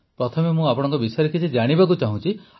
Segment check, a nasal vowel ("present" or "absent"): present